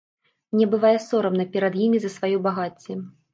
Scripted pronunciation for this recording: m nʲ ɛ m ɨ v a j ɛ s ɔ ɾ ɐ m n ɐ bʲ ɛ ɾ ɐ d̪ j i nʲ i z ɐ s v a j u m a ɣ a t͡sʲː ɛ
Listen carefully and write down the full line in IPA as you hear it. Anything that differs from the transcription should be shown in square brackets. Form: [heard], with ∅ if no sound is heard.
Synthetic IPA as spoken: m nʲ ɛ [b] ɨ v a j ɛ s ɔ ɾ ɐ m n ɐ [pʲ] ɛ ɾ ɐ d̪ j i [mʲ] i z ɐ s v a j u [b] a ɣ a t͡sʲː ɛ

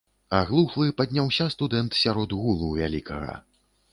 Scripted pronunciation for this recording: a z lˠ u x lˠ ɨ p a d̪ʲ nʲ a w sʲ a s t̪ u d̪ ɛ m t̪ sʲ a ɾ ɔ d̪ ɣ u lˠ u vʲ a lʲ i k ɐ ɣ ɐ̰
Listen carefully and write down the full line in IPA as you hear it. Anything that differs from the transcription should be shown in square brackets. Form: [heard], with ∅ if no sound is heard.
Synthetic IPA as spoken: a [ɣ] lˠ u x lˠ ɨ p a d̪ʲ nʲ a w sʲ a s t̪ u d̪ ɛ [n] t̪ sʲ a ɾ ɔ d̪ ɣ u lˠ u vʲ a lʲ i k ɐ ɣ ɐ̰

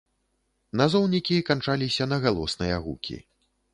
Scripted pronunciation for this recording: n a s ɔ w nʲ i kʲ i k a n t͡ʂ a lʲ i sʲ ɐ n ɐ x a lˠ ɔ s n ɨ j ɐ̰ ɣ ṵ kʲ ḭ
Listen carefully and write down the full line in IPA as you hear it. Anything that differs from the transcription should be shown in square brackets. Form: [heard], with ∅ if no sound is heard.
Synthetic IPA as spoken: n a [z] ɔ w nʲ i kʲ i k a n t͡ʂ a lʲ i sʲ ɐ n ɐ [ɣ] a lˠ ɔ s n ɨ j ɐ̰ ɣ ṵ kʲ ḭ

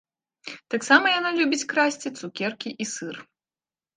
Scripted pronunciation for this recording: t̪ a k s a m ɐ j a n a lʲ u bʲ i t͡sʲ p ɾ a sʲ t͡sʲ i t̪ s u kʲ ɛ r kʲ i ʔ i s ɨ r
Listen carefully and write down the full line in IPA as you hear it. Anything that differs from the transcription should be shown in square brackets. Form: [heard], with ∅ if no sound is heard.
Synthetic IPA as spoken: t̪ a k s a m ɐ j a n a lʲ u bʲ i t͡sʲ [k] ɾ a sʲ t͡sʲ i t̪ s u kʲ ɛ r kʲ i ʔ i s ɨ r

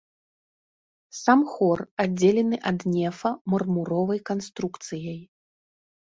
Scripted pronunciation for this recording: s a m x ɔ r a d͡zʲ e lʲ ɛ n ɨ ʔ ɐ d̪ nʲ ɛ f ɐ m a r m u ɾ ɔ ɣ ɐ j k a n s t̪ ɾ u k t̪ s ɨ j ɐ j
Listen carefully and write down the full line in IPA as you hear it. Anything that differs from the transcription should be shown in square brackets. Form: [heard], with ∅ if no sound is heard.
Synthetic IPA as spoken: s a m x ɔ r a d͡zʲ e lʲ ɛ n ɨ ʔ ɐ d̪ nʲ ɛ f ɐ m [ɐ] r m u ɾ ɔ [v] ɐ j k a n s t̪ ɾ u k t̪ s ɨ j ɐ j

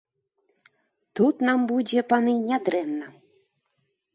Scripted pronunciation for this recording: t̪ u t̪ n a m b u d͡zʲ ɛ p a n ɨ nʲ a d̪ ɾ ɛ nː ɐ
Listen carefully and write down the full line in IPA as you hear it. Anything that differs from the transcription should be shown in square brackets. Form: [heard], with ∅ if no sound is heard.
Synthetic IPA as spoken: t̪ u t̪ n a m b u d͡zʲ ɛ p a n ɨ nʲ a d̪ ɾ ɛ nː ɐ

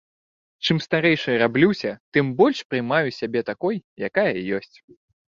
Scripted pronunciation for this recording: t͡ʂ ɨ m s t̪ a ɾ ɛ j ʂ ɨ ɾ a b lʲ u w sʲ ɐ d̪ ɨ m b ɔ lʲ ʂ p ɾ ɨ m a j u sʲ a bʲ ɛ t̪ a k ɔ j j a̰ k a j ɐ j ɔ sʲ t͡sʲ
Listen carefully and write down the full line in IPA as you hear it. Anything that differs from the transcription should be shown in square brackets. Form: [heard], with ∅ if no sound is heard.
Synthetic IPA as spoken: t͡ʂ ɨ m s t̪ a ɾ ɛ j ʂ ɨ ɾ a b lʲ u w sʲ ɐ [t̪] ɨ m b ɔ lʲ ʂ p ɾ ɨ m a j u sʲ a bʲ ɛ t̪ a k ɔ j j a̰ k a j ɐ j ɔ sʲ t͡sʲ

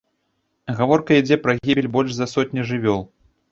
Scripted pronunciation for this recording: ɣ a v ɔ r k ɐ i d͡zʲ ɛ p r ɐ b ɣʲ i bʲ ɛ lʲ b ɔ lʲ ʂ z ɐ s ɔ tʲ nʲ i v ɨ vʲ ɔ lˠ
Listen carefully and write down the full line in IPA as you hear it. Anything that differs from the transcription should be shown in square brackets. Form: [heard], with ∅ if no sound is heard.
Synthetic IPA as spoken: ɣ a v ɔ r k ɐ i d͡zʲ ɛ p [ɾ] ɐ [∅] ɣʲ i bʲ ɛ lʲ b ɔ lʲ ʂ z ɐ s ɔ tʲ nʲ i [ʐ] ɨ vʲ ɔ lˠ

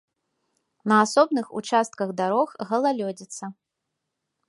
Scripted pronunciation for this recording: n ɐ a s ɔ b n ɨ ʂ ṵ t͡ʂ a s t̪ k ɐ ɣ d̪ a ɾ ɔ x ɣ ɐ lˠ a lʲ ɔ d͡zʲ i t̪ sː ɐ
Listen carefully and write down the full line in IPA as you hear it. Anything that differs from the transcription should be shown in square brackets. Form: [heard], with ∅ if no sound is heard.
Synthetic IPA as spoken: n ɐ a s ɔ b n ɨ [x] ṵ t͡ʂ a s t̪ k ɐ ɣ d̪ a ɾ ɔ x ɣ ɐ lˠ a lʲ ɔ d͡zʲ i t̪ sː ɐ

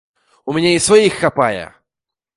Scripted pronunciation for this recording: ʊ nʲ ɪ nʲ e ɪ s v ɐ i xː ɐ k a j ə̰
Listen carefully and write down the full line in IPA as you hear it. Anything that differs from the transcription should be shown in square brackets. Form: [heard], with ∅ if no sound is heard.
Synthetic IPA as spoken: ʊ [mʲ] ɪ nʲ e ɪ s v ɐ i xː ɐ [p] a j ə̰

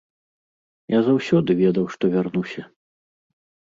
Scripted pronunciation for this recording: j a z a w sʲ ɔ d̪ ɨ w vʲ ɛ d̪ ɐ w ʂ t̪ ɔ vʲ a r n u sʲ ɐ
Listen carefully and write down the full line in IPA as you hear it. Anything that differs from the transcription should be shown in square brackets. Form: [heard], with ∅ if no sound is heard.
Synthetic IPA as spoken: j a z a w sʲ ɔ d̪ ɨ [∅] vʲ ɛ d̪ ɐ w ʂ t̪ ɔ vʲ a r n u sʲ ɐ

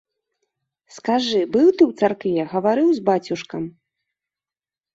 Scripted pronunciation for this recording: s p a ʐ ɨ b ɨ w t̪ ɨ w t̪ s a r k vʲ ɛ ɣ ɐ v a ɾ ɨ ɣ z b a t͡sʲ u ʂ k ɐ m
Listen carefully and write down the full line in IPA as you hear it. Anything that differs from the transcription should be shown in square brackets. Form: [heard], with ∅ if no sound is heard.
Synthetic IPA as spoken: s [k] a ʐ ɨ b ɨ w t̪ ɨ w t̪ s a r k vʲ ɛ ɣ ɐ v a ɾ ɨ [w] z b a t͡sʲ u ʂ k ɐ m

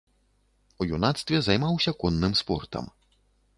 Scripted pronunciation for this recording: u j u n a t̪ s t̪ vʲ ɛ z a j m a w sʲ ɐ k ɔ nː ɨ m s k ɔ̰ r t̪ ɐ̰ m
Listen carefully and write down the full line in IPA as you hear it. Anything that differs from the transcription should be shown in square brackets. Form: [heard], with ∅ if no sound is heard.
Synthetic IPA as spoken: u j u n a t̪ s t̪ vʲ ɛ z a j m a w sʲ ɐ k ɔ nː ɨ m s [p] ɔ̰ r t̪ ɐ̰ m

